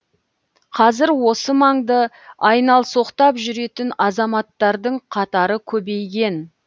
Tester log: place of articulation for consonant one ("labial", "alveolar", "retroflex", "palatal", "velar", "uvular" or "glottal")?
uvular